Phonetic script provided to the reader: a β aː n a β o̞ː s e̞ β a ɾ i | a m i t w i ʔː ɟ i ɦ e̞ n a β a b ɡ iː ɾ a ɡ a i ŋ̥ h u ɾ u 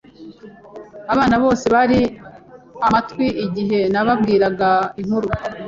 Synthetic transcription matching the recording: a β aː n a β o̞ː s e̞ β a ɾ i | a m a t w i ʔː ɟ i ɦ e̞ n a β a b ɡ iː ɾ a ɡ a i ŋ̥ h u ɾ u